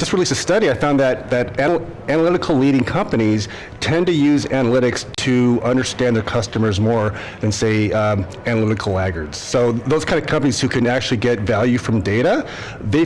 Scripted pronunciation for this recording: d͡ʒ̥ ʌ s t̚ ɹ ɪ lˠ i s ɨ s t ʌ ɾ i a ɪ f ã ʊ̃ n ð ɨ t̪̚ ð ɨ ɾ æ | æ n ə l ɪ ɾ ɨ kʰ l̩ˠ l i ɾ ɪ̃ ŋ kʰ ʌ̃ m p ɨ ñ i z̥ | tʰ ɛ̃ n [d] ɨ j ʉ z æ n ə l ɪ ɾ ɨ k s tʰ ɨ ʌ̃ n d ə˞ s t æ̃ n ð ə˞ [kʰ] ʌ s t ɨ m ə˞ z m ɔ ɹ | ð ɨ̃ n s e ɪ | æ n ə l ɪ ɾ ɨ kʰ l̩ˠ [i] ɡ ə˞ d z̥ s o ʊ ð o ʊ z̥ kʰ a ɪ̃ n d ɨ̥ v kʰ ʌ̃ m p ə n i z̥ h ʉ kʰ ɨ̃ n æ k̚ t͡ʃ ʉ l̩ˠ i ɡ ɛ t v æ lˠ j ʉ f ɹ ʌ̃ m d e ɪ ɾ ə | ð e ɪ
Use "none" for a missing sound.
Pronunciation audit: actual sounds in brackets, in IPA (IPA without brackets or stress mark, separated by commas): t, kʰ, æ